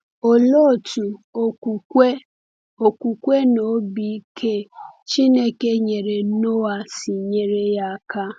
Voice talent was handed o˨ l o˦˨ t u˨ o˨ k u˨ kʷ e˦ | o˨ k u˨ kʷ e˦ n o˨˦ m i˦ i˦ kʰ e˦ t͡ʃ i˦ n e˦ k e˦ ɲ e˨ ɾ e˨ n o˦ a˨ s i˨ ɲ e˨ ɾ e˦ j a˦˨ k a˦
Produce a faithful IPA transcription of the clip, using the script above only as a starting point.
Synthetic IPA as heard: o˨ l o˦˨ t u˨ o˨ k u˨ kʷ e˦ | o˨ k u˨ kʷ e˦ n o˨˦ b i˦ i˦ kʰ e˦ t͡ʃ i˦ n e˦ k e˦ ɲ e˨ ɾ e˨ n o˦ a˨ s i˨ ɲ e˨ ɾ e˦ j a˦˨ k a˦